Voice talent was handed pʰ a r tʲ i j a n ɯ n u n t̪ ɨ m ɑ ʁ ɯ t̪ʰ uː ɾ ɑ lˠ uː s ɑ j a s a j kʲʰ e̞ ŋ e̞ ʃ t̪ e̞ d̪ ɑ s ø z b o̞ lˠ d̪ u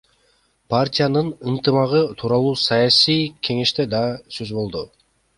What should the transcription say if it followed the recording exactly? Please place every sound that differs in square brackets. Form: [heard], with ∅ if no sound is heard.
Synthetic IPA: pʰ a r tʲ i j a n ɯ n [ɯ] n t̪ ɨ m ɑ ʁ ɯ t̪ʰ uː ɾ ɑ lˠ uː s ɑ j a s [i] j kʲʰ e̞ ŋ e̞ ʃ t̪ e̞ d̪ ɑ s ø z b o̞ lˠ d̪ u